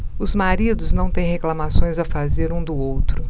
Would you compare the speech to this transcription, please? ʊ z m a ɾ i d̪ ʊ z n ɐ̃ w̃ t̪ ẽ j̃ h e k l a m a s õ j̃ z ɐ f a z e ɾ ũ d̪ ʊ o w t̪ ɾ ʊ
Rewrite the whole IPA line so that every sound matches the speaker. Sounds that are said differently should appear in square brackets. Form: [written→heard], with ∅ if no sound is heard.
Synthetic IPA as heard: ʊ z m a ɾ i d̪ ʊ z n ɐ̃ w̃ t̪ ẽ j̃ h e k l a m a s õ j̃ z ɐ f a z e ɾ ũ d̪ ʊ o w t̪ ɾ ʊ

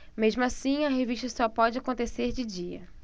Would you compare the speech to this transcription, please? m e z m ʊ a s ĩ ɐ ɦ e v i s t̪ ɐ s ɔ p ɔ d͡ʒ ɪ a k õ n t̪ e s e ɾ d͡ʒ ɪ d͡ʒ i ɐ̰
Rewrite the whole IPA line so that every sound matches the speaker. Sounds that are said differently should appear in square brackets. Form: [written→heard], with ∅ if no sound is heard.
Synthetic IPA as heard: m e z m ʊ a s ĩ ɐ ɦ e v i [s→ʃ] t̪ ɐ s ɔ p ɔ d͡ʒ ɪ a k õ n t̪ e s e ɾ d͡ʒ ɪ d͡ʒ i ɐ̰

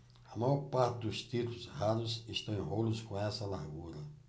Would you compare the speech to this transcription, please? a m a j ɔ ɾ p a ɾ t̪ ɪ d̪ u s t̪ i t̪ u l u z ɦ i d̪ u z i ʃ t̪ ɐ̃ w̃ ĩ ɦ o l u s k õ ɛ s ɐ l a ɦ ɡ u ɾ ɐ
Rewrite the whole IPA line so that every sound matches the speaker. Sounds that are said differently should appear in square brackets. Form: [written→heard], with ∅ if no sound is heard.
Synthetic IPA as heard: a m a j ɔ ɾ p a ɾ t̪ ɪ d̪ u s t̪ i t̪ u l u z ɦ [i→a] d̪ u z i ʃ t̪ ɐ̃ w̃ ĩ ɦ o l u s k õ ɛ s ɐ l a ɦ ɡ u ɾ ɐ

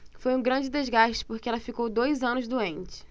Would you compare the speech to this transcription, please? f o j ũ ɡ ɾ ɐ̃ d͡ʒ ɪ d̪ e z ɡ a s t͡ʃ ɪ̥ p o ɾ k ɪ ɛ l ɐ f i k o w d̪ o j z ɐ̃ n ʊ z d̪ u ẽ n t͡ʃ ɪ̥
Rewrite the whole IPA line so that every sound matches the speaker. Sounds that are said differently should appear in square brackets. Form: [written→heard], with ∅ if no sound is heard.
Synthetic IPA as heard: f o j ũ ɡ ɾ ɐ̃ d͡ʒ ɪ d̪ e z ɡ a [s→ʃ] t͡ʃ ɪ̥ p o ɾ k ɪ ɛ l ɐ f i k o w d̪ o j z ɐ̃ n ʊ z d̪ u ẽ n t͡ʃ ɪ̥

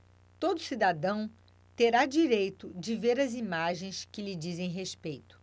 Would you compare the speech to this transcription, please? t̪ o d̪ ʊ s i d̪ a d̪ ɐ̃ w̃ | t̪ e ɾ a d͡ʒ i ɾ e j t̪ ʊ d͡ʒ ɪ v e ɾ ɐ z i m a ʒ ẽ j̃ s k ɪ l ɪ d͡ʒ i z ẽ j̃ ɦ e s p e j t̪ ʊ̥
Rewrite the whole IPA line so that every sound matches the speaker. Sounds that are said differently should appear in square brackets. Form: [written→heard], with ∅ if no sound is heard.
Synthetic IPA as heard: t̪ o d̪ ʊ s i d̪ a d̪ ɐ̃ w̃ | t̪ e ɾ a d͡ʒ i ɾ e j t̪ ʊ d͡ʒ ɪ v e ɾ ɐ z i m a ʒ ẽ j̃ s k ɪ l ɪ d͡ʒ i z ẽ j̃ ɦ e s p e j t̪ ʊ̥

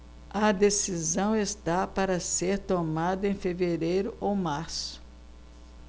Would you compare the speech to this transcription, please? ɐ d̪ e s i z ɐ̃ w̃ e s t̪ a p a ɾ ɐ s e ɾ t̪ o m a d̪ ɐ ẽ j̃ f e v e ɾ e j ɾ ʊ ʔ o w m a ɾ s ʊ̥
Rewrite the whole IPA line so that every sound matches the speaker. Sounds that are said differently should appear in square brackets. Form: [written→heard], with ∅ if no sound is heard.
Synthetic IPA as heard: ɐ d̪ e s i z ɐ̃ w̃ e s t̪ a p a ɾ ɐ s e ɾ t̪ o m a d̪ ɐ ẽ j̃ f e v e ɾ e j ɾ ʊ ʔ o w m a ɾ s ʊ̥

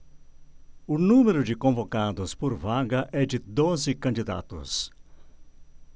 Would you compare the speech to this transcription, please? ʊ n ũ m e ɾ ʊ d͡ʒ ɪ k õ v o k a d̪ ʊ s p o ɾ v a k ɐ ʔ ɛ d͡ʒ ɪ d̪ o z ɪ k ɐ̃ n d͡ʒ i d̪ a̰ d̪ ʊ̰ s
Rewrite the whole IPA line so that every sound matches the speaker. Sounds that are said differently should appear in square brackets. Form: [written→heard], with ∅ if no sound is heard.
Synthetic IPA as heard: ʊ n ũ m e ɾ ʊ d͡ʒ ɪ k õ v o k a d̪ ʊ s p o ɾ v a [k→ɡ] ɐ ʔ ɛ d͡ʒ ɪ d̪ o z ɪ k ɐ̃ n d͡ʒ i d̪ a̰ [d̪→t̪] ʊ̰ s

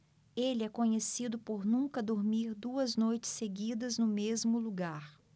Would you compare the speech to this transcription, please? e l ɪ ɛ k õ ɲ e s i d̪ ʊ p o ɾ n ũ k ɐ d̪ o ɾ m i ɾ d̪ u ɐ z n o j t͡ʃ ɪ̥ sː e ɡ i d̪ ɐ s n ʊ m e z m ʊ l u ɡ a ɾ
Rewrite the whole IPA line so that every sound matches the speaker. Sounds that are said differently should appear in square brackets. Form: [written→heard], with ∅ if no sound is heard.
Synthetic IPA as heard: e l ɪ ɛ k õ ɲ e s i d̪ ʊ p o ɾ n ũ k ɐ d̪ o ɾ m i ɾ d̪ u ɐ z n o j t͡ʃ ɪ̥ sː e ɡ i d̪ ɐ [s→z] n ʊ m e z m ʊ l u ɡ a ɾ

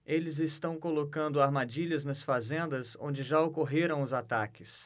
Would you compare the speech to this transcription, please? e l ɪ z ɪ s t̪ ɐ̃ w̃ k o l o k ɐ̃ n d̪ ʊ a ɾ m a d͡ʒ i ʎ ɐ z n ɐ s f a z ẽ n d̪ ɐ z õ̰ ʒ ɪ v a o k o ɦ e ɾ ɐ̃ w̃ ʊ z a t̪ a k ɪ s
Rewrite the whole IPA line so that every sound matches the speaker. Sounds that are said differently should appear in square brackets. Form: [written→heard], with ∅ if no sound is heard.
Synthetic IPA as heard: e l ɪ z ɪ s t̪ ɐ̃ w̃ k o l o k ɐ̃ n d̪ ʊ a ɾ m a d͡ʒ i ʎ ɐ z n ɐ s f a z ẽ n d̪ ɐ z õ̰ [ʒ→d͡ʒ] ɪ [v→ʒ] a o k o ɦ e ɾ ɐ̃ w̃ ʊ z a t̪ a k ɪ s

